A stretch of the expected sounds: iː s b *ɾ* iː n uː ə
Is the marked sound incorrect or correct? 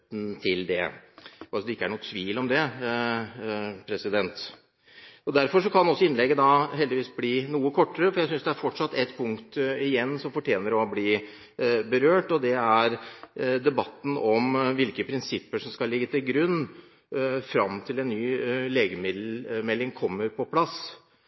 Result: incorrect: l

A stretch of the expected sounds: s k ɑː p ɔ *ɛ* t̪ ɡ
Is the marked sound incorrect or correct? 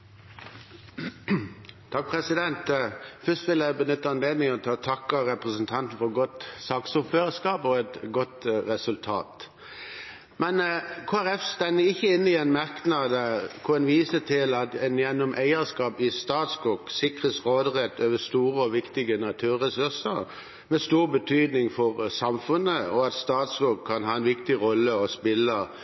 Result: correct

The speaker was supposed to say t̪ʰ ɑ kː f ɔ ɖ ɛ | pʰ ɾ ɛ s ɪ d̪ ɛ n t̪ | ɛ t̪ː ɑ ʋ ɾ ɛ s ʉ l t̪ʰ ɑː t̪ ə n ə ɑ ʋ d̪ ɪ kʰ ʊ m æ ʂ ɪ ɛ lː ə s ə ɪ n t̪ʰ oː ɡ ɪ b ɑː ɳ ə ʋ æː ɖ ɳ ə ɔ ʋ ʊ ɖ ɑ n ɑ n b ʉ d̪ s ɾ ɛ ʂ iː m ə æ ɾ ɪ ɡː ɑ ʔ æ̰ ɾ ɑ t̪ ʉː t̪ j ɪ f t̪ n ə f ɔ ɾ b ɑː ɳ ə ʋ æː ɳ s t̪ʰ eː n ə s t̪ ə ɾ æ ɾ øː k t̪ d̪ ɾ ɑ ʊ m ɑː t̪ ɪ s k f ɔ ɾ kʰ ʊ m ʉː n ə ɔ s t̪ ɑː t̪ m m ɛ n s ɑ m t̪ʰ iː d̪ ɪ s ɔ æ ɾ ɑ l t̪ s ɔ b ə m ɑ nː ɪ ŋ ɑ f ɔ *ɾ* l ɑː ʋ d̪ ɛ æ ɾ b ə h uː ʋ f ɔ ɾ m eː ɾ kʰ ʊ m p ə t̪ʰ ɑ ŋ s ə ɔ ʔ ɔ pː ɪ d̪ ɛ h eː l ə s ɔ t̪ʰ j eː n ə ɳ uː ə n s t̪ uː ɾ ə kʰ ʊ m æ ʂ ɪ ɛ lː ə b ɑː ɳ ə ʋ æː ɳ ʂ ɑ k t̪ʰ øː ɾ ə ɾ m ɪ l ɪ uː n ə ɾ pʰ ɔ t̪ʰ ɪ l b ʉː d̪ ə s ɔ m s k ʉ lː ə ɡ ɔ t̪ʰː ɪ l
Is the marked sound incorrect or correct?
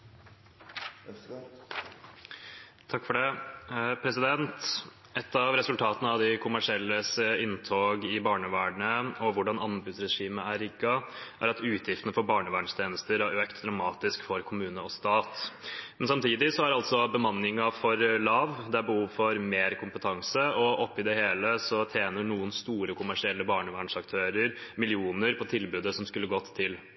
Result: correct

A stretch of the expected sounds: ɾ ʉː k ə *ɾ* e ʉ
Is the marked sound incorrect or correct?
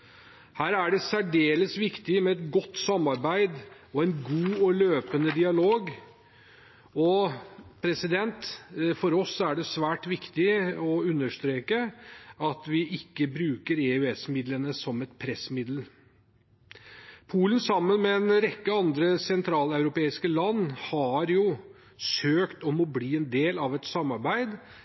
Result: correct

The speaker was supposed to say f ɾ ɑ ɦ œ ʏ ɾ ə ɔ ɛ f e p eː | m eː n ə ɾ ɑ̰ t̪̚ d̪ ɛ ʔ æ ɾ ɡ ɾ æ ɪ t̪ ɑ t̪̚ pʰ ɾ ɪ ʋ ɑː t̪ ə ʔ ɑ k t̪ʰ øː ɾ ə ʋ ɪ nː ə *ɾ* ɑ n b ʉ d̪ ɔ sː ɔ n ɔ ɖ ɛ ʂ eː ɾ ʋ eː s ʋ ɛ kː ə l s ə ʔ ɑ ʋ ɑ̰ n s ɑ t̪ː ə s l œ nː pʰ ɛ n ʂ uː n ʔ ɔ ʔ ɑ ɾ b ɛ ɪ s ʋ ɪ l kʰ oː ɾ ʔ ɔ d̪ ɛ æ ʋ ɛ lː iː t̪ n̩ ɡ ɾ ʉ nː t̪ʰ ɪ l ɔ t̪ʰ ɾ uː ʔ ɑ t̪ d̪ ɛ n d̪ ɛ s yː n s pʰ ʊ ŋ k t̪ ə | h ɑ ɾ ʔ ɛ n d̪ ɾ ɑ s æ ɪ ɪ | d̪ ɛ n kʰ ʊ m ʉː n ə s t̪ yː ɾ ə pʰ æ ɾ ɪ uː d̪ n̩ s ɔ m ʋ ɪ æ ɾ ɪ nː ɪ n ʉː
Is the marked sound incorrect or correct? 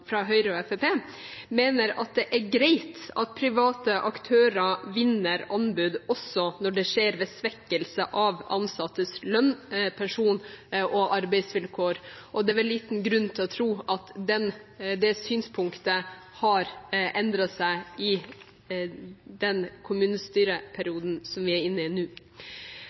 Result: correct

